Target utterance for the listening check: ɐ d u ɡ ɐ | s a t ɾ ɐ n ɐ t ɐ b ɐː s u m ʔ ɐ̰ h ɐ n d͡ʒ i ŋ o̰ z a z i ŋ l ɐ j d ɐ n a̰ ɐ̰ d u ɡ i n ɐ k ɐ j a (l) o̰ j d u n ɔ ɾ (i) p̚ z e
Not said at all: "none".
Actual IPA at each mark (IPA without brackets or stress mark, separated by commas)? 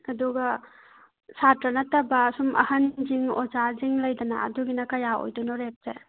none, e